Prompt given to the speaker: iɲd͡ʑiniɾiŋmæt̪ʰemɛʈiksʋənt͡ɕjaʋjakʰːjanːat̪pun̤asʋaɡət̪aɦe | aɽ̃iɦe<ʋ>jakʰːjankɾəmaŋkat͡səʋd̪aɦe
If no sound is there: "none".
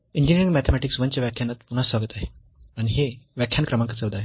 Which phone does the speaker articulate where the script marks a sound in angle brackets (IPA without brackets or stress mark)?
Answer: ʋ